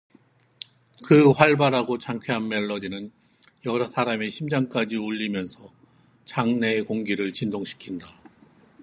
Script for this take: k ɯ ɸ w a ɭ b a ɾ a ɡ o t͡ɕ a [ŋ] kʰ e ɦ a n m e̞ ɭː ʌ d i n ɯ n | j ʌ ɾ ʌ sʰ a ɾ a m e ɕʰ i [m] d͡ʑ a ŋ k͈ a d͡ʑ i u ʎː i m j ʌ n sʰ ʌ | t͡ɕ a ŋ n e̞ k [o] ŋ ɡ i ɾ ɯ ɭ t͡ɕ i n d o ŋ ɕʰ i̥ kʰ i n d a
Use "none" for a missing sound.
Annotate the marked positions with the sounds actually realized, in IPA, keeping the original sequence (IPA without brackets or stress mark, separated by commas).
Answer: ŋ, m, o